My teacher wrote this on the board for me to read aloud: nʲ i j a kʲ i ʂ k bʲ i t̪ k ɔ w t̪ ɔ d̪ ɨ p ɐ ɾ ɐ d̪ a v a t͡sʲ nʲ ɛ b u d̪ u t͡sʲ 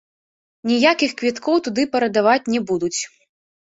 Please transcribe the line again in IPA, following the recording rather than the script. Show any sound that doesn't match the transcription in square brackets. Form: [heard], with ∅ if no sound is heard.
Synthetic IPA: nʲ i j a kʲ i [x] k [vʲ] i t̪ k ɔ w t̪ [u] d̪ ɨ p ɐ ɾ ɐ d̪ a v a t͡sʲ nʲ ɛ b u d̪ u t͡sʲ